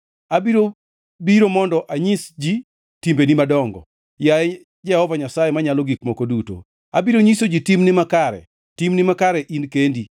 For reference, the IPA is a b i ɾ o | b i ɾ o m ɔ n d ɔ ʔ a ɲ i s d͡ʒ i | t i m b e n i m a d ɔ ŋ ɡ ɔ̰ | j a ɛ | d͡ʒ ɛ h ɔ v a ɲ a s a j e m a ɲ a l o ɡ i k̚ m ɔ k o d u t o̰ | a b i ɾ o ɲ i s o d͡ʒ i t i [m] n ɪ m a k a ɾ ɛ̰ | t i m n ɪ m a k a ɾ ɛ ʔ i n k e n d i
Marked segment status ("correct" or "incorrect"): correct